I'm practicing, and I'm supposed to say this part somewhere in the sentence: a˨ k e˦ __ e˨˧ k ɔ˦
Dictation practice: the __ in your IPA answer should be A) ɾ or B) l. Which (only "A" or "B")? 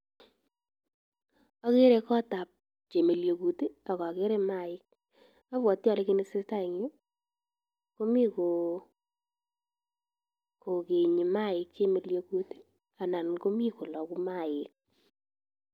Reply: A